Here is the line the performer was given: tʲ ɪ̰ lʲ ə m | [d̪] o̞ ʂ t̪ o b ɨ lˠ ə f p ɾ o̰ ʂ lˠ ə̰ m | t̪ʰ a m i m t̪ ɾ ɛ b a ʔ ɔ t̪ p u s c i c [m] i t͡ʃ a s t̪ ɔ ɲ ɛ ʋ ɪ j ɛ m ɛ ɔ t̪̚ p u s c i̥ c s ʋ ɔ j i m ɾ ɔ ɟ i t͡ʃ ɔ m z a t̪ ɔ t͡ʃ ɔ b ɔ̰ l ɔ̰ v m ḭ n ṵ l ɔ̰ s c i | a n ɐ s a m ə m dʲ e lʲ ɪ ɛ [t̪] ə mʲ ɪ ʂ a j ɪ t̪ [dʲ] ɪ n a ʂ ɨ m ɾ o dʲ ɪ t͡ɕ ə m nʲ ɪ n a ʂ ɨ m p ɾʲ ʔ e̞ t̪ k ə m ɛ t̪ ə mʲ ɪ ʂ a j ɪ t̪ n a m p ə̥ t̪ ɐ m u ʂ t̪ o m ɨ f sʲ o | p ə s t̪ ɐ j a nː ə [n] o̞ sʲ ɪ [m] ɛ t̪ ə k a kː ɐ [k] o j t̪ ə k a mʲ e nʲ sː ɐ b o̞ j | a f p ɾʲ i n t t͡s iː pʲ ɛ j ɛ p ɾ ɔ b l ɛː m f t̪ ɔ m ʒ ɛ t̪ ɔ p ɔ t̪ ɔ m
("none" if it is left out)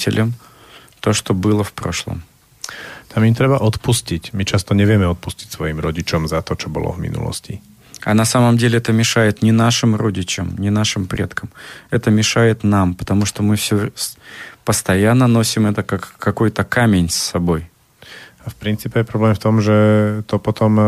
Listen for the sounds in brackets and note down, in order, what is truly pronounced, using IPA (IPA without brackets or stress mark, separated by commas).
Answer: t̪, m, t̪, nʲ, n, m, k